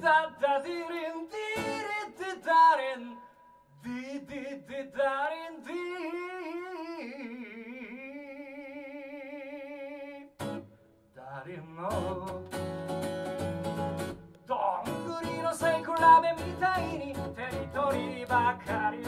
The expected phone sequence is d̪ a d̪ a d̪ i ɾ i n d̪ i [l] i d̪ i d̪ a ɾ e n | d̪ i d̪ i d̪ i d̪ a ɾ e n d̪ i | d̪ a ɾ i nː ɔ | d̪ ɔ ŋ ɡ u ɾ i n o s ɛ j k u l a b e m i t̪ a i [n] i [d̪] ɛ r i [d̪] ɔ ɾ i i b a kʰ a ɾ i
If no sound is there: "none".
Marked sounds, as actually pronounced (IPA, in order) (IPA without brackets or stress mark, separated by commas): ɾ, n, t̪, t̪